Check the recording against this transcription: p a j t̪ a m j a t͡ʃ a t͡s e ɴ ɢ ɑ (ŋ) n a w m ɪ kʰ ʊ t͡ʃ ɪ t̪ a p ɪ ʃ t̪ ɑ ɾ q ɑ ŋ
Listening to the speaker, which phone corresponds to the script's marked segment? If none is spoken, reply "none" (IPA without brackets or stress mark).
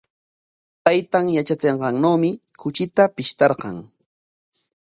ŋ